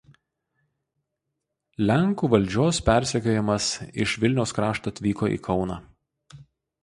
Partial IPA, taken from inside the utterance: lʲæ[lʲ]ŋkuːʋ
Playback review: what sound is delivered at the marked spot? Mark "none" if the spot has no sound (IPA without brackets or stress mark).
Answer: none